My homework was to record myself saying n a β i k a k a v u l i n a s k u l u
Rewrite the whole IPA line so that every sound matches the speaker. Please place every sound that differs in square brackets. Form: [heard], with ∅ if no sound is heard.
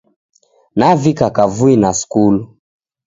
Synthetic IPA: n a [v] i k a k a v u [∅] i n a s k u l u